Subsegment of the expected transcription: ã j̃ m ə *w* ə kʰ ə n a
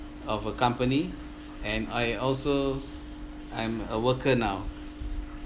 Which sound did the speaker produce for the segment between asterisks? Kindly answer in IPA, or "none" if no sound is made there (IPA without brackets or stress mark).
w